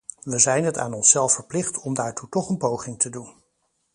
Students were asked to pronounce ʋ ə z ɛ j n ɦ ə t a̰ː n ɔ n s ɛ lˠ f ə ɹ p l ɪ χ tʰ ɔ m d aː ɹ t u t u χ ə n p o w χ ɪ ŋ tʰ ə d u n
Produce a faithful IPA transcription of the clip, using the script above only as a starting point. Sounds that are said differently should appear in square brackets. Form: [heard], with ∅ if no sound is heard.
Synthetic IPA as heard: ʋ ə z ɛ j n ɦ ə t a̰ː n ɔ n s ɛ lˠ f ə ɹ p l ɪ χ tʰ ɔ m d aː ɹ t u t [ɔ] χ ə n p o w χ ɪ ŋ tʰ ə d u n